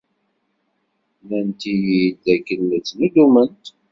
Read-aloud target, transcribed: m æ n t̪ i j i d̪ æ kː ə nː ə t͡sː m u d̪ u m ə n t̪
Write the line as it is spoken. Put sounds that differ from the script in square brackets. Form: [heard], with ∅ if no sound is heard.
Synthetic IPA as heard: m æ n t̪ i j i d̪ æ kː ə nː ə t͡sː [n] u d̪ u m ə n t̪